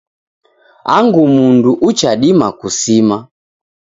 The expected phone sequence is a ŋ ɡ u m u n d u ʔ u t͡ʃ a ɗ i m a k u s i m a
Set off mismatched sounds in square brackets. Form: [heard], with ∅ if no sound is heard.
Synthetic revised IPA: a ŋ ɡ u m u n d u ʔ u t͡ʃ a ɗ i m a k u s i m a